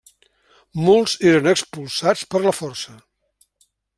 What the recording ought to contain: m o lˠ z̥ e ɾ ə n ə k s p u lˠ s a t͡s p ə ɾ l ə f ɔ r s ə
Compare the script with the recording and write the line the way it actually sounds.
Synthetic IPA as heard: m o lˠ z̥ e ɾ ə n ə k s p u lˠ s a t͡s p ə ɾ l ə f ɔ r s ə